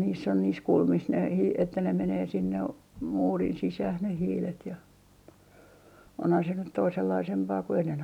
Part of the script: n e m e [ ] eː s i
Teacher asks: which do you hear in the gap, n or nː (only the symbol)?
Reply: n